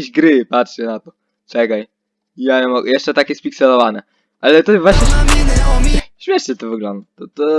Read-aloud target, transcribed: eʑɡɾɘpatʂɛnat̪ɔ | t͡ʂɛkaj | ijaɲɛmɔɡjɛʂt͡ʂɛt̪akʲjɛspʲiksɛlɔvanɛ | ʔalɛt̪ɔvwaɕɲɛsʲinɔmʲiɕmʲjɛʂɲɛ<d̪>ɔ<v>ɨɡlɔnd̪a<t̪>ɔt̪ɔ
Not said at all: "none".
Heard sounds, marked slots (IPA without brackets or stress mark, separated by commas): t̪, v, t̪